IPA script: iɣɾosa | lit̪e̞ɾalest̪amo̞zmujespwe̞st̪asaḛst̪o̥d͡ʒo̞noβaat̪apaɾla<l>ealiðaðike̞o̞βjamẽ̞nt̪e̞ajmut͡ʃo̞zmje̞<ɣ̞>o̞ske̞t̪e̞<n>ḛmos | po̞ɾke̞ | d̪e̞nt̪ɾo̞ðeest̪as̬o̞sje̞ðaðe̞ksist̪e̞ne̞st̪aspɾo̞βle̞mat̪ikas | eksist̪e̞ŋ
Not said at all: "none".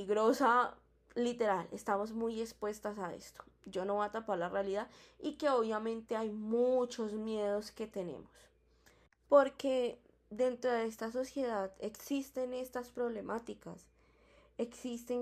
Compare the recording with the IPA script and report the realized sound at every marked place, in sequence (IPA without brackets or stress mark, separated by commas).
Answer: r, ð̞, n